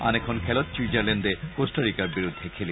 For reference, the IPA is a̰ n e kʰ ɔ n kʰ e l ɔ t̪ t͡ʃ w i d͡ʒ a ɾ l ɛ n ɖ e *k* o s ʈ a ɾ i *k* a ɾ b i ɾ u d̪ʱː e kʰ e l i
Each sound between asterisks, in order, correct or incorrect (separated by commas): correct, correct